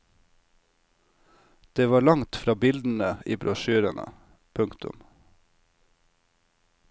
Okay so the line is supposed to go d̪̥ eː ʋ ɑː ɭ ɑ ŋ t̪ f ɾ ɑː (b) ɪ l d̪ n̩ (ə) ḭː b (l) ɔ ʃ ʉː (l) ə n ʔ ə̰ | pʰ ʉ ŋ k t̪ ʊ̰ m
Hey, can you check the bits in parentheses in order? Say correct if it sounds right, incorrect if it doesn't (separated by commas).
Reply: correct, correct, incorrect, incorrect